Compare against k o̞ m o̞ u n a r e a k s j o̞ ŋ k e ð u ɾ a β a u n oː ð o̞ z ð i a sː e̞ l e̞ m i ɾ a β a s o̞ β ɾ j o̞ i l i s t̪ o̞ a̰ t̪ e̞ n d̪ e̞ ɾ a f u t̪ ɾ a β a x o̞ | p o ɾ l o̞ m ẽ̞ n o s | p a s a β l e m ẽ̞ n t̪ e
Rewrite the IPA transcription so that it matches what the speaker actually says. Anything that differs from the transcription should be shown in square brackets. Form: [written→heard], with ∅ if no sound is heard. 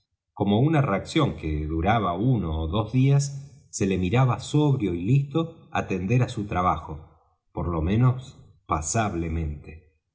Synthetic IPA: k o̞ m o̞ u n a r e a k s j o̞ ŋ k e ð u ɾ a β a u n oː ð o̞ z ð i a sː e̞ l e̞ m i ɾ a β a s o̞ β ɾ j o̞ i l i s t̪ o̞ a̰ t̪ e̞ n d̪ e̞ ɾ a [f→s] u t̪ ɾ a β a x o̞ | p o ɾ l o̞ m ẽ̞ n o s | p a s a β l e m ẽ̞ n t̪ e

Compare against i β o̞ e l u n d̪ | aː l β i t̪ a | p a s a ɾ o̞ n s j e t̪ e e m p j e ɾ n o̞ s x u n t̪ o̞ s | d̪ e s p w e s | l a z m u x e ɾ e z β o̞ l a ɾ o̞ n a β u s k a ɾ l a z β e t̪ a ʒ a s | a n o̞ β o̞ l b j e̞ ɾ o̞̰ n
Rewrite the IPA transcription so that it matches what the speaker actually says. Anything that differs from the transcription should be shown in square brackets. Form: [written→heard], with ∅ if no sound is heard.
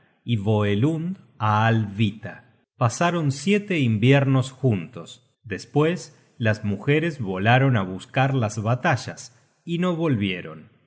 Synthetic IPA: i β o̞ e l u n d̪ | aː l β i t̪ a | p a s a ɾ o̞ n s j e t̪ e [e→i] m [p→b] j e ɾ n o̞ s x u n t̪ o̞ s | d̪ e s p w e s | l a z m u x e ɾ e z β o̞ l a ɾ o̞ n a β u s k a ɾ l a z β [e→a] t̪ a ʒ a s | [a→i] n o̞ β o̞ l [b→β] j e̞ ɾ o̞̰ n

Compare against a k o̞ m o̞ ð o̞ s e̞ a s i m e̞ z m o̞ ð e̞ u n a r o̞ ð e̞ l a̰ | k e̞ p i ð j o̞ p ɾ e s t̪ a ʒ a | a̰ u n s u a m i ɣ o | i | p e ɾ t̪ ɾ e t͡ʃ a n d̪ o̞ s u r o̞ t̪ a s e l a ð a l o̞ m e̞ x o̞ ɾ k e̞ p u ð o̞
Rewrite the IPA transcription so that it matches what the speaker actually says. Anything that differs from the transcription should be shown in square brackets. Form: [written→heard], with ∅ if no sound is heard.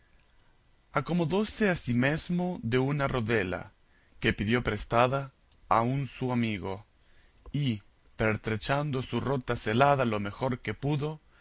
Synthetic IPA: a k o̞ m o̞ ð o̞ s e̞ a s i m e̞ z m o̞ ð e̞ u n a r o̞ ð e̞ l a̰ | k e̞ p i ð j o̞ p ɾ e s t̪ a [ʒ→ð] a | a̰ u n s u a m i ɣ o | i | p e ɾ t̪ ɾ e t͡ʃ a n d̪ o̞ s u r o̞ t̪ a s e l a ð a l o̞ m e̞ x o̞ ɾ k e̞ p u ð o̞

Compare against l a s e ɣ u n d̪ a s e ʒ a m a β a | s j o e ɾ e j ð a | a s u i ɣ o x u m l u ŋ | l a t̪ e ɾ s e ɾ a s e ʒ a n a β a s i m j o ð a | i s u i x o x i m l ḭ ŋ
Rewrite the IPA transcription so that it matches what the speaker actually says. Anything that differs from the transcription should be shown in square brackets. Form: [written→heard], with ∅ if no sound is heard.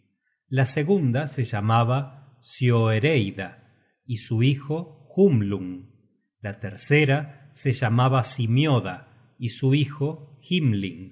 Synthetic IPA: l a s e ɣ u n d̪ a s e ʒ a m a β a | s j o e ɾ e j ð a | [a→i] s u i [ɣ→x] o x u m l u ŋ | l a t̪ e ɾ s e ɾ a s e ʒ a [n→m] a β a s i m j o ð a | i s u i x o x i m l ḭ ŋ

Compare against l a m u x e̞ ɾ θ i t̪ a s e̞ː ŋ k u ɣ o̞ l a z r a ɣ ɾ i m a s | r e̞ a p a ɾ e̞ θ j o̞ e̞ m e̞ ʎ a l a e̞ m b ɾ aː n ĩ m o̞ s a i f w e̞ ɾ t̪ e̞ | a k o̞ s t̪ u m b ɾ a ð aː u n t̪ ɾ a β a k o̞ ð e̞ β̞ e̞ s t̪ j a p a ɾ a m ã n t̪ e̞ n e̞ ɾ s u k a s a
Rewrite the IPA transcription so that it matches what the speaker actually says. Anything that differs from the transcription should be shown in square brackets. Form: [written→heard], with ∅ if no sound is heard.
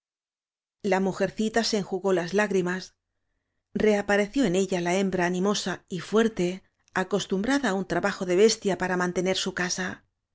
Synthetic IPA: l a m u x e̞ ɾ θ i t̪ a s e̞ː ŋ [k→x] u ɣ o̞ l a z [r→l] a ɣ ɾ i m a s | r e̞ a p a ɾ e̞ θ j o̞ e̞ [m→n] e̞ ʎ a l a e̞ m b ɾ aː n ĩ m o̞ s a i f w e̞ ɾ t̪ e̞ | a k o̞ s t̪ u m b ɾ a ð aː u n t̪ ɾ a β a [k→x] o̞ ð e̞ β̞ e̞ s t̪ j a p a ɾ a m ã n t̪ e̞ n e̞ ɾ s u k a s a

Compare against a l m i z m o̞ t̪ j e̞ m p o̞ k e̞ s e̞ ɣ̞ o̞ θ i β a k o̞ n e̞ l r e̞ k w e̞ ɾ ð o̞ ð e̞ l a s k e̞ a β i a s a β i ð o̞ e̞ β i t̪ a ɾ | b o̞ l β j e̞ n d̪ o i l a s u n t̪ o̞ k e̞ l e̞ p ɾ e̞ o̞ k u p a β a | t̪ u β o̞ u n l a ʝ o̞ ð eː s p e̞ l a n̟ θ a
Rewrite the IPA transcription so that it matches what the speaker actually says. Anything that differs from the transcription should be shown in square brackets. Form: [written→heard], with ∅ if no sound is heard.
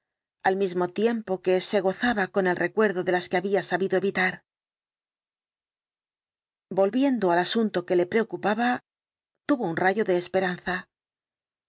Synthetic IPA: a l m i z m o̞ t̪ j e̞ m p o̞ k e̞ s e̞ ɣ̞ o̞ θ [i→a] β a k o̞ n e̞ l r e̞ k w e̞ ɾ ð o̞ ð e̞ l a s k e̞ a β i a s a β i ð o̞ e̞ β i t̪ a ɾ | b o̞ l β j e̞ n d̪ o [i→a] l a s u n t̪ o̞ k e̞ l e̞ p ɾ e̞ o̞ k u p a β a | t̪ u β o̞ u n [l→r] a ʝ o̞ ð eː s p e̞ [l→ɾ] a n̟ θ a

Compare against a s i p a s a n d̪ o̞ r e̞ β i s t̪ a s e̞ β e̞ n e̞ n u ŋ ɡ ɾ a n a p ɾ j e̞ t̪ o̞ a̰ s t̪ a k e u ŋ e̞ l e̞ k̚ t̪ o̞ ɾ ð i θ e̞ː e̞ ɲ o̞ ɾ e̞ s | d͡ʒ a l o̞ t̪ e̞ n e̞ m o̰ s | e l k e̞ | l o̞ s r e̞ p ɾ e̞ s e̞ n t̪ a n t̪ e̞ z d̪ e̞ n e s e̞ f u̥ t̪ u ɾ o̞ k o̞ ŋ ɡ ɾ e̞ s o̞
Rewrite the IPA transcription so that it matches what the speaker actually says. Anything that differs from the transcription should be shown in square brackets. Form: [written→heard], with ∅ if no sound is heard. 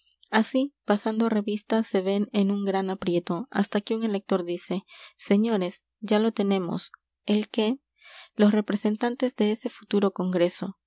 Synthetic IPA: a s i p a s a n d̪ o̞ r e̞ β i s t̪ a s e̞ β e̞ n e̞ n u ŋ ɡ ɾ a n a p ɾ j e̞ t̪ o̞ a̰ s t̪ a k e u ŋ e̞ l e̞ k̚ t̪ o̞ ɾ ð i [θ→s] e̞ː e̞ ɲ o̞ ɾ e̞ s | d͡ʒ a l o̞ t̪ e̞ n e̞ m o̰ s | e l k e̞ | l o̞ s r e̞ p ɾ e̞ s e̞ n t̪ a n t̪ e̞ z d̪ e̞ [n→∅] e s e̞ f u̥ t̪ u ɾ o̞ k o̞ ŋ ɡ ɾ e̞ s o̞

